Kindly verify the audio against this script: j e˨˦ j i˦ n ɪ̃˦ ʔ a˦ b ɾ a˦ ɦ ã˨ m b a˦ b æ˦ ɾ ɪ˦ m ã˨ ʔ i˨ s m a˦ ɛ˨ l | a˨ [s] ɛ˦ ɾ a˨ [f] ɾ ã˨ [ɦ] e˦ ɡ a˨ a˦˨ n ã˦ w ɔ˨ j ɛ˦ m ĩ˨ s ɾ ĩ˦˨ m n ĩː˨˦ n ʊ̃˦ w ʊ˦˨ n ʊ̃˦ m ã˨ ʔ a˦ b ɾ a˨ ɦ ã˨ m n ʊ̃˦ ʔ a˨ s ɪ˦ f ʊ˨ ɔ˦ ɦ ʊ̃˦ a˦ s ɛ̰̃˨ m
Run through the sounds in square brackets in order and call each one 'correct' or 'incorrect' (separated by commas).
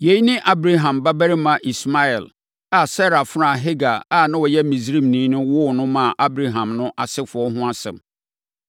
correct, correct, correct